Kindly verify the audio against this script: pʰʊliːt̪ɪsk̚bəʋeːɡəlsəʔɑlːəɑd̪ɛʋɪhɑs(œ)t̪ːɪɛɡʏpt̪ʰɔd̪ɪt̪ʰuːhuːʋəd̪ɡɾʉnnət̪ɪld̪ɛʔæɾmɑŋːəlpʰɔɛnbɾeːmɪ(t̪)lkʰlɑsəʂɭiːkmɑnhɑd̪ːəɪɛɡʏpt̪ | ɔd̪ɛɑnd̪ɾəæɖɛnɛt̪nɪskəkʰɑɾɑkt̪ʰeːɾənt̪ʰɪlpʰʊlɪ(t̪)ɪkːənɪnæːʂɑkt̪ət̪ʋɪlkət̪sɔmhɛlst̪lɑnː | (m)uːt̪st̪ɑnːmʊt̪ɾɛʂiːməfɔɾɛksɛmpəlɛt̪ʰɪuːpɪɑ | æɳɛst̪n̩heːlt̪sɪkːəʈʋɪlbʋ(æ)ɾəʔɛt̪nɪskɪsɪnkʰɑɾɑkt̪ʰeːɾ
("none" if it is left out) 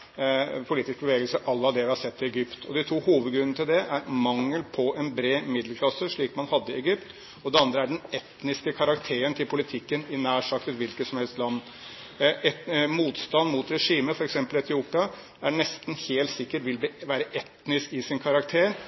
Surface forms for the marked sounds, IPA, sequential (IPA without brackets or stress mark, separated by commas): ɛ, d̪, t̪ʰ, m, æː